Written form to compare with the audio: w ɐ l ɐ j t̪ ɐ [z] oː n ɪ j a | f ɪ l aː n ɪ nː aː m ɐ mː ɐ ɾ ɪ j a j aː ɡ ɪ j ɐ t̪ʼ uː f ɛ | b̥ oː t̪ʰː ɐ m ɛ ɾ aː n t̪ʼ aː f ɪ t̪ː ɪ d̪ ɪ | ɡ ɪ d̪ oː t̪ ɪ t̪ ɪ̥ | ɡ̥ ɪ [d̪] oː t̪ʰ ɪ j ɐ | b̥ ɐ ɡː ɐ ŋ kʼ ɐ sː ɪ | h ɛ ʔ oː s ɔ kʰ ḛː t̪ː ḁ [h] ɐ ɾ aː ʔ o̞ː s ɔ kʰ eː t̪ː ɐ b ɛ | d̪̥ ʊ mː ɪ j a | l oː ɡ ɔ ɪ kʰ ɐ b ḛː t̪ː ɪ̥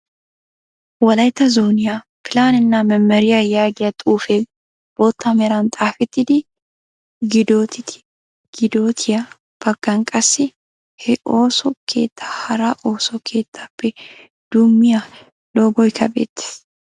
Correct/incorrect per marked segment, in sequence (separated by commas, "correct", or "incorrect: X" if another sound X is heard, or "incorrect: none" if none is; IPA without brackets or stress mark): correct, correct, correct